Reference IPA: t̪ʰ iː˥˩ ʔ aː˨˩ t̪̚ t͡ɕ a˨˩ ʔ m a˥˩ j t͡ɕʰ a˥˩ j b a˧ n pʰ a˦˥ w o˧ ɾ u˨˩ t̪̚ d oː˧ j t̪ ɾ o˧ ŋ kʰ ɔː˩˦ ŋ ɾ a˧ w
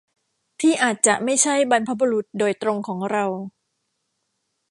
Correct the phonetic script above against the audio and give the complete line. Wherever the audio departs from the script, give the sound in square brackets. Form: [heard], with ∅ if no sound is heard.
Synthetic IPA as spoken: t̪ʰ iː˥˩ ʔ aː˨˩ t̪̚ t͡ɕ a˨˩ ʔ m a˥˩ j t͡ɕʰ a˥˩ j b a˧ n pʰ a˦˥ [b] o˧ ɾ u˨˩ t̪̚ d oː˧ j t̪ ɾ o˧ ŋ kʰ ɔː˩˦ ŋ ɾ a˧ w

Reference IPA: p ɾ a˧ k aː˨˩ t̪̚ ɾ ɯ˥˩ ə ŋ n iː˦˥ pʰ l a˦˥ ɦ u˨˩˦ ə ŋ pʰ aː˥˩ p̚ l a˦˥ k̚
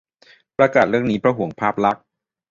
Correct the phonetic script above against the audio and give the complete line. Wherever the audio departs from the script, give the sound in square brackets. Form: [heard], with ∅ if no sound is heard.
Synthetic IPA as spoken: p ɾ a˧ k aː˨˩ t̪̚ ɾ ɯ˥˩ ə ŋ n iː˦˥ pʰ [ɾ] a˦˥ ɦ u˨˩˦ ə ŋ pʰ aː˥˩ p̚ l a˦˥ k̚

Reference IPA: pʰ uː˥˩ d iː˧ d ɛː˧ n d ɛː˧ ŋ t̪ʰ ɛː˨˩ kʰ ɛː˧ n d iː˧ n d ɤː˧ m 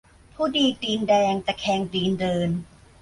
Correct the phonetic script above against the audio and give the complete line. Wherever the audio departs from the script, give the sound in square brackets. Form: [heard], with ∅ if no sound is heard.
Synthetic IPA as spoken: pʰ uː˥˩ d iː˧ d [iː˧] n d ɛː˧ ŋ [t̪] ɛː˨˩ kʰ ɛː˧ [ŋ] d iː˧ n d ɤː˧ [n]

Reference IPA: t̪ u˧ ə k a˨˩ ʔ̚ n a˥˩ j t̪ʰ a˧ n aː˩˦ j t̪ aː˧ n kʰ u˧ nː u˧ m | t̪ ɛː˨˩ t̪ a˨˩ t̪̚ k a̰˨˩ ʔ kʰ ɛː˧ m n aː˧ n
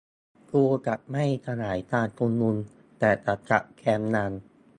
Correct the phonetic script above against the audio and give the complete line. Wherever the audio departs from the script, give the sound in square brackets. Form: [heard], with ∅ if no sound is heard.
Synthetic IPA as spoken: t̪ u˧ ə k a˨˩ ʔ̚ [m] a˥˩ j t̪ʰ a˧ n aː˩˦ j t̪ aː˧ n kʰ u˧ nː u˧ [n] | t̪ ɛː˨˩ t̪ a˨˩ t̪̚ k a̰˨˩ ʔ kʰ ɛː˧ m n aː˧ n

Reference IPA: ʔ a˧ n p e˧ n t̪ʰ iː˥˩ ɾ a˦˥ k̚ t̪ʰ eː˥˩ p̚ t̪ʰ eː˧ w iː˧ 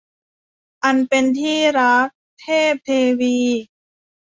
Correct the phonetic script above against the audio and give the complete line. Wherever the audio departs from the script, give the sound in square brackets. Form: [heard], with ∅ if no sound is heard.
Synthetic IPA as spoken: ʔ a˧ n p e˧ n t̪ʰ iː˥˩ ɾ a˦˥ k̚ t̪ʰ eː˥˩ p̚ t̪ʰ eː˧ w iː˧

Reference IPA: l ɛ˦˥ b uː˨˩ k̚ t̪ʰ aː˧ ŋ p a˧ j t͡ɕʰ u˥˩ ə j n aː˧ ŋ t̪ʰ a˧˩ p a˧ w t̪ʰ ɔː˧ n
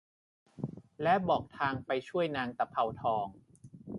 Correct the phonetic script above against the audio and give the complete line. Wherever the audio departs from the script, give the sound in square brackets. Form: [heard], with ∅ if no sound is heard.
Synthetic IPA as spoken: l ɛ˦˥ b [ɔː˨˩] k̚ t̪ʰ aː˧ ŋ p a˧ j t͡ɕʰ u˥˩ ə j n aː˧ ŋ [t̪] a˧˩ [pʰ] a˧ w t̪ʰ ɔː˧ [ŋ]

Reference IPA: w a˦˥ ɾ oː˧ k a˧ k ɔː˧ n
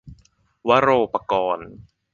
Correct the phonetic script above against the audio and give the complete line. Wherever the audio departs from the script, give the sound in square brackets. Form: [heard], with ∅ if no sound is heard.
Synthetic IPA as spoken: w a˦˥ ɾ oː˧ [p] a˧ k ɔː˧ n

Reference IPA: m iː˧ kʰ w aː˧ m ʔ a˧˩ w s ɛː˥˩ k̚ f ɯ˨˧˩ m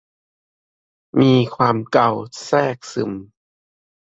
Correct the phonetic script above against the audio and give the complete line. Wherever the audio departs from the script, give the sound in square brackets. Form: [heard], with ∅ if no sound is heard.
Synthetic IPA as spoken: m iː˧ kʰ w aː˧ m [k] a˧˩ w s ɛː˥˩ k̚ [s] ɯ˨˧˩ m

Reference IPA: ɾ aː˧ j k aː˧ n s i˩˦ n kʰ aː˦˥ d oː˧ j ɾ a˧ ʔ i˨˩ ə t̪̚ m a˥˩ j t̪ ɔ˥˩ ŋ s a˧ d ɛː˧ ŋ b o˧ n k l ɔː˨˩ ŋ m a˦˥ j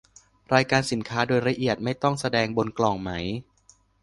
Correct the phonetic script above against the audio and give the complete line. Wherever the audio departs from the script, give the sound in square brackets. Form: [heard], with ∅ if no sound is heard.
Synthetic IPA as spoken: ɾ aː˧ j k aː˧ n s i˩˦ n kʰ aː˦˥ d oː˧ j ɾ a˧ ʔ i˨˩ ə t̪̚ m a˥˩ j t̪ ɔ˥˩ ŋ s a˧ d ɛː˧ ŋ b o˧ n k l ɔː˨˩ ŋ m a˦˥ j

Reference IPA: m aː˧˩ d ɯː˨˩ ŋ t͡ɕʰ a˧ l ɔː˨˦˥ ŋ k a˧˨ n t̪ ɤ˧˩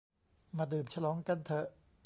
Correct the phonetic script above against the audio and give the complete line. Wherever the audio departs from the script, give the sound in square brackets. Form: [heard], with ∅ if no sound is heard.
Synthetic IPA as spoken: m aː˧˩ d ɯː˨˩ [m] t͡ɕʰ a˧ l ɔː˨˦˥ ŋ k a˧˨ n [t̪ʰ] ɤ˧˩

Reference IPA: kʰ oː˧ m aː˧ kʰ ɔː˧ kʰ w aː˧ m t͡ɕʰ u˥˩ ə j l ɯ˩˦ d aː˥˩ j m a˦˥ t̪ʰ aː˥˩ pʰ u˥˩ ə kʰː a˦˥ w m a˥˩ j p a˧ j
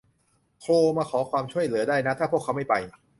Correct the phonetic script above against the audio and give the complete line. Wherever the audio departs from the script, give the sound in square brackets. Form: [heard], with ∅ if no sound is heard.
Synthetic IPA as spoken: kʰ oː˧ m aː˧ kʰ [ɔː˩˦] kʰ w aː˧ m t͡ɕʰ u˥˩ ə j l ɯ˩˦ d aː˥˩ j [n] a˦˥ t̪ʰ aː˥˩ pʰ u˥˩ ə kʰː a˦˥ w m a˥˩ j p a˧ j

